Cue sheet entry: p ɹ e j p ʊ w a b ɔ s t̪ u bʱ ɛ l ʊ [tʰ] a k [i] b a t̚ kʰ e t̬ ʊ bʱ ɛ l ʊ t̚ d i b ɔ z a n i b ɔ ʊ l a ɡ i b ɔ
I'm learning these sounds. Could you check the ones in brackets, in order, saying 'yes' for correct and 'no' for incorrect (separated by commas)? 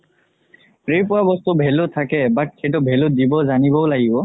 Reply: yes, no